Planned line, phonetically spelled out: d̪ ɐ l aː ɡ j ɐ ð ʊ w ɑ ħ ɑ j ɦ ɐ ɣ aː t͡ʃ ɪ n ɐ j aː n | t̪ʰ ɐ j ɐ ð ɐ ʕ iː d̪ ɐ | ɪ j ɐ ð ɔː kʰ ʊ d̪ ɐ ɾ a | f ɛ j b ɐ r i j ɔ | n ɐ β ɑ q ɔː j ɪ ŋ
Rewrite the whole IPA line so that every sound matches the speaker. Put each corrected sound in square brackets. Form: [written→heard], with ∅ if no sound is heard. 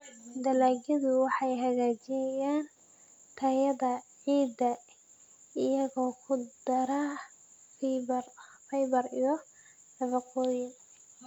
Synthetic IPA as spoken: d̪ ɐ l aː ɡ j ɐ ð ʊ w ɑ ħ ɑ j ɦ ɐ ɣ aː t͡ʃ ɪ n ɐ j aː n | t̪ʰ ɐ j ɐ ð ɐ ʕ iː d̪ ɐ | ɪ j ɐ [ð→ɣ] ɔː kʰ ʊ d̪ ɐ ɾ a | f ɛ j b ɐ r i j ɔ | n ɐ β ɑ q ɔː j ɪ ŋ